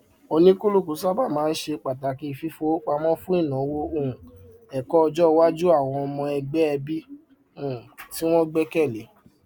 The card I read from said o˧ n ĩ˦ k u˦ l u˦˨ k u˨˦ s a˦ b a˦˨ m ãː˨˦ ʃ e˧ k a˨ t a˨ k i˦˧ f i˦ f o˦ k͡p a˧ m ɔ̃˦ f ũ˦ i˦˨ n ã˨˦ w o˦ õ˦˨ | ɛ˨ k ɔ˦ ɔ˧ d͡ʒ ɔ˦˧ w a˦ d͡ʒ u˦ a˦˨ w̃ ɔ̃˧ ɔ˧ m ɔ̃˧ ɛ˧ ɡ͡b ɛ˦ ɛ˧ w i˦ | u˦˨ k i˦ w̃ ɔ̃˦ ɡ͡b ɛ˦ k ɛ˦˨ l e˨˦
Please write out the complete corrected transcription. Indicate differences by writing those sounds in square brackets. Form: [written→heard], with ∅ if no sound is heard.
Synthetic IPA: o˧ n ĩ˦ k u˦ l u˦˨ k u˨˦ s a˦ b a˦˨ m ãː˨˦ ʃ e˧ [k→k͡p] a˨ t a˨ k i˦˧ f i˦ f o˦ k͡p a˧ m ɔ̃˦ f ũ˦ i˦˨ n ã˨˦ w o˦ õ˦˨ | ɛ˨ k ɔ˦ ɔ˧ d͡ʒ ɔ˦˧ w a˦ d͡ʒ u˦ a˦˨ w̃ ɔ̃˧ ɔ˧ m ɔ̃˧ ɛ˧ ɡ͡b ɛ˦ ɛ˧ [w→b] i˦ | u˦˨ [k→t] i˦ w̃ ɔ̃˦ ɡ͡b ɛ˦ k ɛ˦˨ l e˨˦